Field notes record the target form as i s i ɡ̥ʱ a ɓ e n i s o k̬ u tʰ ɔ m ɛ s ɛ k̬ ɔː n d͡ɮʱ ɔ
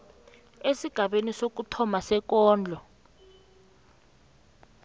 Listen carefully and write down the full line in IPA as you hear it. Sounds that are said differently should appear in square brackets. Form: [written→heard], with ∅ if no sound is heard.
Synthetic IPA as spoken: [i→e] s i ɡ̥ʱ a ɓ e n i s o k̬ u tʰ ɔ m [ɛ→a] s ɛ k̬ ɔː n d͡ɮʱ ɔ